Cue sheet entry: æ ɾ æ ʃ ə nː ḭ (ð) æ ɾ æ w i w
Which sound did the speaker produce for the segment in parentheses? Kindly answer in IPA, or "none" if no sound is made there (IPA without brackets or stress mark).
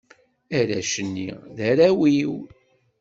ð